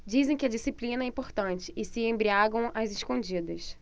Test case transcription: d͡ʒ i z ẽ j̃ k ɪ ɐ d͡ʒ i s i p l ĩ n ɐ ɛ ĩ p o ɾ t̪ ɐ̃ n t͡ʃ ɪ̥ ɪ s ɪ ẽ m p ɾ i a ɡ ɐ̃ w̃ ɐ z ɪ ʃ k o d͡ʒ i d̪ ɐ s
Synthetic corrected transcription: d͡ʒ i z ẽ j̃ k ɪ ɐ d͡ʒ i s i p l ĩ n ɐ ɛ ĩ p o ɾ t̪ ɐ̃ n t͡ʃ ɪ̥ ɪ s ɪ ẽ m b ɾ i a ɡ ɐ̃ w̃ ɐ z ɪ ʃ k õ d͡ʒ i d̪ ɐ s